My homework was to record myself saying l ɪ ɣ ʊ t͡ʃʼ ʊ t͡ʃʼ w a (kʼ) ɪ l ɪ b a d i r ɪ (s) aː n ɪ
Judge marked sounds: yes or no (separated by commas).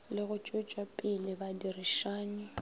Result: no, no